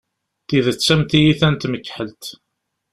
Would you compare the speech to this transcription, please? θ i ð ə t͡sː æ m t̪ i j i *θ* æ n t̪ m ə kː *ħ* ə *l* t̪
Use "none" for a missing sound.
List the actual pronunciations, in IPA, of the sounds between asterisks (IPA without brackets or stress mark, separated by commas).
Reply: θ, ħ, l